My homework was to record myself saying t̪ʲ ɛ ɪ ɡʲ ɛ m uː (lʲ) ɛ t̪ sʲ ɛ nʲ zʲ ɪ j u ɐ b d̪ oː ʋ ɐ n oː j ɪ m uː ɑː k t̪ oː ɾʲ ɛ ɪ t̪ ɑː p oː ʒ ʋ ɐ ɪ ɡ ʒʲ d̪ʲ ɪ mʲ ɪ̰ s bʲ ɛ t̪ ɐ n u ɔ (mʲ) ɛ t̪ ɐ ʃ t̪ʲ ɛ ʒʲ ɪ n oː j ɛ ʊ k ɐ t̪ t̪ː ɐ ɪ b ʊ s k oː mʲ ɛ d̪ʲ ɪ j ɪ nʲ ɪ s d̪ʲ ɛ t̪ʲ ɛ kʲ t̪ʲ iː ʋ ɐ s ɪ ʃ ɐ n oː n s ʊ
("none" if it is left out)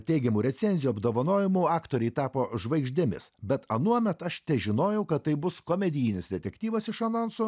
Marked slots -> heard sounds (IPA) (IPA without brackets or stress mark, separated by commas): ɾʲ, mʲ